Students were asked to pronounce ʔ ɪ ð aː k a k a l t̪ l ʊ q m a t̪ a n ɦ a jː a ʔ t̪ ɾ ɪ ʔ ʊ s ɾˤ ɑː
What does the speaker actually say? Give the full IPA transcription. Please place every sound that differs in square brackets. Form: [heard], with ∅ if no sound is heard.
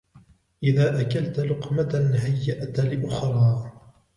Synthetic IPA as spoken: ʔ ɪ ð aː [ʔ] a k a l t̪ l ʊ q m a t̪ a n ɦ a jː a ʔ t̪ [l] ɪ ʔ ʊ [x] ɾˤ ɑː